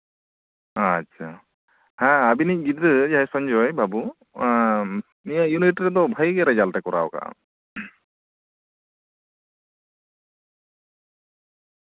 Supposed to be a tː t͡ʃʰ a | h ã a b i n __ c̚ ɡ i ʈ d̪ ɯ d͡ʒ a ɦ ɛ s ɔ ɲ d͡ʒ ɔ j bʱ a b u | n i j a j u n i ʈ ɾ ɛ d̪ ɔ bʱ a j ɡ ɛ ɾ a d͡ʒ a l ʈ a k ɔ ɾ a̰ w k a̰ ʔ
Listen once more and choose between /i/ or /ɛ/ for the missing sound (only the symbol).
i